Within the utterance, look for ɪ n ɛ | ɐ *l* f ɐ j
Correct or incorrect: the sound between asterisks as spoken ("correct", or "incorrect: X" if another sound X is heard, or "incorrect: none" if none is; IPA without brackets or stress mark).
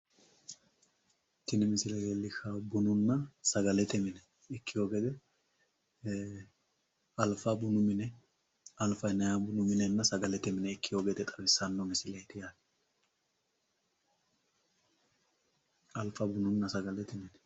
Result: correct